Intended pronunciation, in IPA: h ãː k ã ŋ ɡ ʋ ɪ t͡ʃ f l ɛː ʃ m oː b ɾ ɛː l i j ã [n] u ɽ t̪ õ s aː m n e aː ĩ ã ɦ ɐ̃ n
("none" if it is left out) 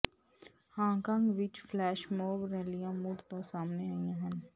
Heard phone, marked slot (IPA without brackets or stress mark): m